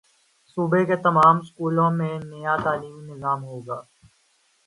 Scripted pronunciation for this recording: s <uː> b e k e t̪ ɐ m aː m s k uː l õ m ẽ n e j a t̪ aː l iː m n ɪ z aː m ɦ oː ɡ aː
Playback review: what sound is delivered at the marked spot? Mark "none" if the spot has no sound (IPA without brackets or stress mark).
uː